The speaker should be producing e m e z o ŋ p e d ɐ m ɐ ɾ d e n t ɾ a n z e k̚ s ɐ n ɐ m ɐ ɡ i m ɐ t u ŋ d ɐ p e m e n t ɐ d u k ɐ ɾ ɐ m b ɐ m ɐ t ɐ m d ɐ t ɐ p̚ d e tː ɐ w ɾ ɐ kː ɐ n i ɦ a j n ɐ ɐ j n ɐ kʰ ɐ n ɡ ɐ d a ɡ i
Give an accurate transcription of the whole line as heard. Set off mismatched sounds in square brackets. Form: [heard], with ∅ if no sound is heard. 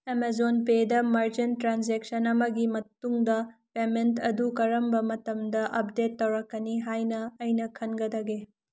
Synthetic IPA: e m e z o [n] p e d ɐ m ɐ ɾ [d͡ʒ] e n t ɾ a n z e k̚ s ɐ n ɐ m ɐ ɡ i m ɐ t u ŋ d ɐ p e m e n t ɐ d u k ɐ ɾ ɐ m b ɐ m ɐ t ɐ m d ɐ [ʔ] ɐ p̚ d e tː ɐ w ɾ ɐ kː ɐ n i ɦ a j n ɐ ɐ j n ɐ kʰ ɐ n ɡ ɐ d [ɐ] ɡ [e]